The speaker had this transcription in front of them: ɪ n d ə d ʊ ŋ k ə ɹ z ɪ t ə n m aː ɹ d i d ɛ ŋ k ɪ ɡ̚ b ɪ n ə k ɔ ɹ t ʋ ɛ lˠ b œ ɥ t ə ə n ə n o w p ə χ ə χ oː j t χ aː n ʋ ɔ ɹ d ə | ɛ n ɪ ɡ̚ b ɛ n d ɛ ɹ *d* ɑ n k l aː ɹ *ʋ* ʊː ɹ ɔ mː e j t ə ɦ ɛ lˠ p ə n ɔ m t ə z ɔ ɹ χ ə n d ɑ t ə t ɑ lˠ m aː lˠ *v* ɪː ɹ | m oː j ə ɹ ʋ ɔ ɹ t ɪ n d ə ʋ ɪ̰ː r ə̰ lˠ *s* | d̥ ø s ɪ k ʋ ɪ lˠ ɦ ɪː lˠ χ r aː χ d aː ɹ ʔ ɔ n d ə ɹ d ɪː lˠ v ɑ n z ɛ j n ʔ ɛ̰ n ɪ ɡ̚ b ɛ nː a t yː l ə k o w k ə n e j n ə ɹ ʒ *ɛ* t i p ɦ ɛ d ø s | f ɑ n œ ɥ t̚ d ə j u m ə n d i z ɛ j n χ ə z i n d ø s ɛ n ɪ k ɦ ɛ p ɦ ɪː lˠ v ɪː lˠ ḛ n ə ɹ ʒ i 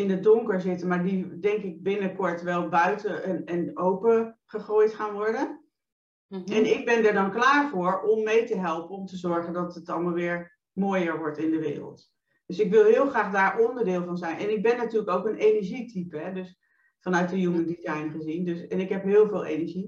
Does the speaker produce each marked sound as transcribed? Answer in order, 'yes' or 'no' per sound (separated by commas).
yes, no, no, no, no